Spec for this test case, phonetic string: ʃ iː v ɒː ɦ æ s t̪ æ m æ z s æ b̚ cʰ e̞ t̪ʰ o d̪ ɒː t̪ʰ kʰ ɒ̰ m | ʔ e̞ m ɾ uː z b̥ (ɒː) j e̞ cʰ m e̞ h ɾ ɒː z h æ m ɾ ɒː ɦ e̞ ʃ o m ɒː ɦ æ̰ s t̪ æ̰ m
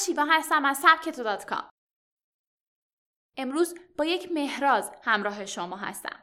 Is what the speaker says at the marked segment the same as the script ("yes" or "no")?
yes